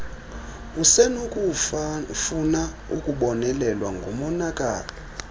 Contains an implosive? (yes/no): yes